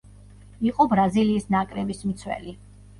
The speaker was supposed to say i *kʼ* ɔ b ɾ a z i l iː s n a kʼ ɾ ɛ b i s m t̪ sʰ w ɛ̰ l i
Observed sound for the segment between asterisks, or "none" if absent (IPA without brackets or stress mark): qʼ